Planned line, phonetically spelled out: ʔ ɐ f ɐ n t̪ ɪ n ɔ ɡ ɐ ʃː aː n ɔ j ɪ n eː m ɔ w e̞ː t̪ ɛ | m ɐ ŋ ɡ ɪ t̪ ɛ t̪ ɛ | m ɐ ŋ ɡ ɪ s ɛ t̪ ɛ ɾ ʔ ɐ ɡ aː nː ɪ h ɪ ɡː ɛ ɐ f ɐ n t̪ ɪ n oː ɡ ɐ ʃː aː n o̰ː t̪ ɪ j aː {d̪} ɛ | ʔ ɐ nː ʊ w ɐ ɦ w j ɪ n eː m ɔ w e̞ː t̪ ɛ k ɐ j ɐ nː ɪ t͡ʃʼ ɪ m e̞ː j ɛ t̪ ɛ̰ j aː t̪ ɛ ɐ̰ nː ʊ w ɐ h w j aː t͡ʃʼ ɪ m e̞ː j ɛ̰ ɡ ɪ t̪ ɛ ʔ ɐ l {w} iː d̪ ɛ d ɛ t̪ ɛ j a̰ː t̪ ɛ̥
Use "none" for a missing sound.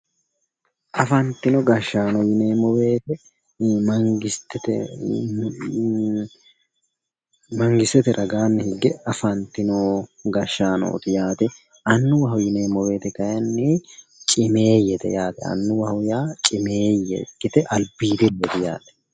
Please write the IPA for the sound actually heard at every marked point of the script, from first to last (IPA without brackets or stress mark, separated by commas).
t̪, b